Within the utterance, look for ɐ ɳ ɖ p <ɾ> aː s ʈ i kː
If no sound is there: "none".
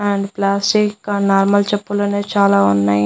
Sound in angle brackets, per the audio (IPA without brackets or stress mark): l